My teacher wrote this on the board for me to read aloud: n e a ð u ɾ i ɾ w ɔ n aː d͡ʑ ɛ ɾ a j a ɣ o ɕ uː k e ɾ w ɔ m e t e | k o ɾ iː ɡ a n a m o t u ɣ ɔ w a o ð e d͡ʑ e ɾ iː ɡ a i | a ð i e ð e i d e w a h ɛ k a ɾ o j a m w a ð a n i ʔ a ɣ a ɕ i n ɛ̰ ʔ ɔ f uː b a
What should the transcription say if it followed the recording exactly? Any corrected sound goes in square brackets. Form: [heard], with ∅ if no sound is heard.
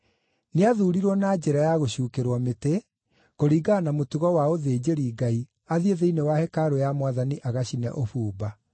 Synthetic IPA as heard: n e a ð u ɾ i ɾ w ɔ n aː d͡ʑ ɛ ɾ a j a ɣ o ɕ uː k e ɾ w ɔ m e t e | k o ɾ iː ɡ a n a m o t u ɣ ɔ w a o ð e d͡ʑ e ɾ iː ɡ a i | a ð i e ð e i [n] e w a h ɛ k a ɾ o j a m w a ð a n i ʔ a ɣ a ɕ i n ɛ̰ ʔ [o] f uː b a